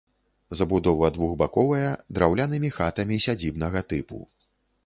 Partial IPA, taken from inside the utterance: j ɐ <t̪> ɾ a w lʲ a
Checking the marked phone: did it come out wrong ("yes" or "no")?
yes